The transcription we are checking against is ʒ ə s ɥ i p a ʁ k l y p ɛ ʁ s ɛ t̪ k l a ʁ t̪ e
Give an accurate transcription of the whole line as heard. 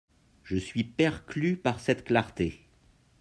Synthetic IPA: ʒ ə s ɥ i p ɛ ʁ k l y p a ʁ s ɛ t̪ k l a ʁ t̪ e

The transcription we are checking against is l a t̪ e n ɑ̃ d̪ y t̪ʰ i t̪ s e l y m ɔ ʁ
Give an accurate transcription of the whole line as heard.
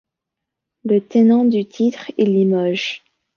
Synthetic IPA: l ə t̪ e n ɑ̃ d̪ y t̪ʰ i t̪ χ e l i m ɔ ʒ

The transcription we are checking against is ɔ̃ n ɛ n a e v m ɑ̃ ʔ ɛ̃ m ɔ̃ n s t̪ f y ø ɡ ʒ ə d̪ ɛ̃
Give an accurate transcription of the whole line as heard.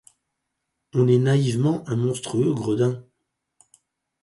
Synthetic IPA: ɔ̃ n ɛ n a i v m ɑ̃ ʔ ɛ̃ m ɔ̃ s t̪ χ y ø ɡ ʁ ə d̪ ɛ̃

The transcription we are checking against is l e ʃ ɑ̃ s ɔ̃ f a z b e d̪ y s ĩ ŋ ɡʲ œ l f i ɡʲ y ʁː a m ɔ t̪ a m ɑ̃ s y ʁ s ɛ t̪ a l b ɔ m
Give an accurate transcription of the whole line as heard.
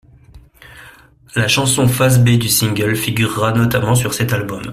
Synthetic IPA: l a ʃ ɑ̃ s ɔ̃ f a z b e d̪ y s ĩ ŋ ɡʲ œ l f i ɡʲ y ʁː a n ɔ t̪ a m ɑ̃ s y ʁ s ɛ t̪ a l b ɔ m

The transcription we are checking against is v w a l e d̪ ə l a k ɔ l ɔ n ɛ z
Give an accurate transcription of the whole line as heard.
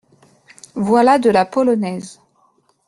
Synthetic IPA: v w a l a d̪ ə l a p ɔ l ɔ n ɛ z

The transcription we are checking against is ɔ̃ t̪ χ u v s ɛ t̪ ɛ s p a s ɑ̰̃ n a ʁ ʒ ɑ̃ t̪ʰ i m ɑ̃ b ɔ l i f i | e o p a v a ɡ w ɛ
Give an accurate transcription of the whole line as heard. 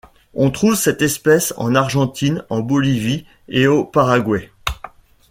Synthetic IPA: ɔ̃ t̪ χ u v s ɛ t̪ ɛ s p ɛ s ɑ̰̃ n a ʁ ʒ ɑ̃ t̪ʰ i n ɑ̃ b ɔ l i v i | e o p a ʁ a ɡ w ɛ

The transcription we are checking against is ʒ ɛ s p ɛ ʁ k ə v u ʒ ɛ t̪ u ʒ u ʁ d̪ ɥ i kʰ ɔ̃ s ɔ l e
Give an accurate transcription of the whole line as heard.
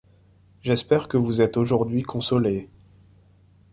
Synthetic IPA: ʒ ɛ s p ɛ ʁ k ə v u z ɛ t̪ o ʒ u ʁ d̪ ɥ i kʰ ɔ̃ s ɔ l e

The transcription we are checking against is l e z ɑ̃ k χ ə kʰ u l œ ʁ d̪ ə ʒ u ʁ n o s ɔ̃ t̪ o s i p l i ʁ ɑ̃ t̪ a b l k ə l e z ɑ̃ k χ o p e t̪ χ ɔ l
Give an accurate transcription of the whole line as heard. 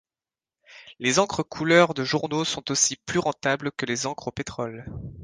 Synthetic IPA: l e z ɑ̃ k χ ə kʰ u l œ ʁ d̪ ə ʒ u ʁ n o s ɔ̃ t̪ o s i p l y ʁ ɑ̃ t̪ a b l k ə l e z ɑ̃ k χ o p e t̪ χ ɔ l

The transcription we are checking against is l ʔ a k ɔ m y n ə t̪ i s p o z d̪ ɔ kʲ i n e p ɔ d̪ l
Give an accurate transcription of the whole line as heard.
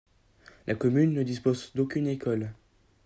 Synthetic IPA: l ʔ a k ɔ m y nː ə d̪ i s p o z d̪ o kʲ y n e k ɔ l

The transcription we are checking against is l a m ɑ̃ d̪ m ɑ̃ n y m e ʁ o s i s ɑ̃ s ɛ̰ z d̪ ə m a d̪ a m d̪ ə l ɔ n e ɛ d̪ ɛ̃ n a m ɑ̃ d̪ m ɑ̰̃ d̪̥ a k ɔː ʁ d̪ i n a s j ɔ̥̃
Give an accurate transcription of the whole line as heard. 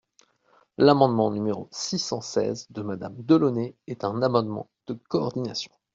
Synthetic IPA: l a m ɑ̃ d̪ m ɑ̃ n y m e ʁ o s i s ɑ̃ s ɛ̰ z d̪ ə m a d̪ a m d̪ ə l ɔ n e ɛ t̪ ɛ̃ n a m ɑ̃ d̪ m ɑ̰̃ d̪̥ ə k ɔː ʁ d̪ i n a s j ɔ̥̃

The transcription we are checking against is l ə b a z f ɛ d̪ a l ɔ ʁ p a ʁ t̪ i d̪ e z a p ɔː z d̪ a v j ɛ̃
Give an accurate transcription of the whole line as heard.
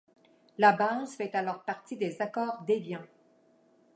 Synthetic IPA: l a b a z f ɛ t̪ a l ɔ ʁ p a ʁ t̪ i d̪ e z a k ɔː ʁ d̪ e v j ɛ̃

